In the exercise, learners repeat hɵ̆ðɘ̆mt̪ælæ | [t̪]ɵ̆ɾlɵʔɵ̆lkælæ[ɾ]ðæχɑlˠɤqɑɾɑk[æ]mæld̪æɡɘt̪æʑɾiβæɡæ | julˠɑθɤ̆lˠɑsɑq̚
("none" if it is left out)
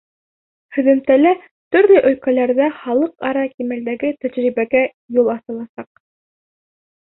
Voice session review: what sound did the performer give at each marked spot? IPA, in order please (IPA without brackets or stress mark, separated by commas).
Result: t̪, ɾ, i